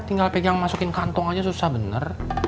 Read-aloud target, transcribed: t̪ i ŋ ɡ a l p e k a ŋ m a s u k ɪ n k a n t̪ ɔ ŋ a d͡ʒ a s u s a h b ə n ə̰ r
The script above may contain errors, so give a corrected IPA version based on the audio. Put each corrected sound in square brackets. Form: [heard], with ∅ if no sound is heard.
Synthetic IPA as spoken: t̪ i ŋ ɡ a l p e [ɡ] a ŋ m a s u k ɪ n k a n t̪ ɔ ŋ a d͡ʒ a s u s a h b ə n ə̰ r